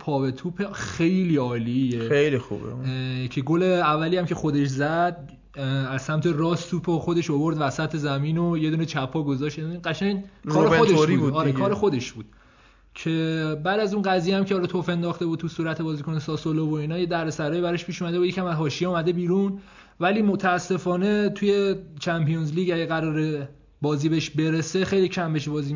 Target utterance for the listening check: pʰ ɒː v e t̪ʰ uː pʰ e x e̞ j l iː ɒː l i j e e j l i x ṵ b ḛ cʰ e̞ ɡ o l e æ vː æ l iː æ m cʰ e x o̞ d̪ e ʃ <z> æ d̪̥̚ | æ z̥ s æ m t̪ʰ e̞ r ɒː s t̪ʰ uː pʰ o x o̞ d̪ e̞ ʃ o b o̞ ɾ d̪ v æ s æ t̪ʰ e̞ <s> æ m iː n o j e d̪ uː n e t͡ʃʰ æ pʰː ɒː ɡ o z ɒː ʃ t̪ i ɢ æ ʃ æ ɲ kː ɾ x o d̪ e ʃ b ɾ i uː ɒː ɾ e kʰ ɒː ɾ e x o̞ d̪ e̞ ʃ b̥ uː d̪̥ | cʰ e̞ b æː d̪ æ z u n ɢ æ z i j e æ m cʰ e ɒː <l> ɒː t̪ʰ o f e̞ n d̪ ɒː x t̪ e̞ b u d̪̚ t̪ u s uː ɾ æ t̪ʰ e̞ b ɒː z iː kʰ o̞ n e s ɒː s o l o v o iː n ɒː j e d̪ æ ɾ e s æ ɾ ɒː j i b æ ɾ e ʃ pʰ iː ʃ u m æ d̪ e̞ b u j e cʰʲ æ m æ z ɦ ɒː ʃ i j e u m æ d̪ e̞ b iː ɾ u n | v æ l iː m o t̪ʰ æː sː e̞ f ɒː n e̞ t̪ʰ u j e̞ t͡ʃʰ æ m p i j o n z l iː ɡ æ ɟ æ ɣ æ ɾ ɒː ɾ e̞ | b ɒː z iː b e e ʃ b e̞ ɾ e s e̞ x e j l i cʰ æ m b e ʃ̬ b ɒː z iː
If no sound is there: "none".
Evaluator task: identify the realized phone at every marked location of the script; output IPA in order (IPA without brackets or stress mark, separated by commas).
z, z, l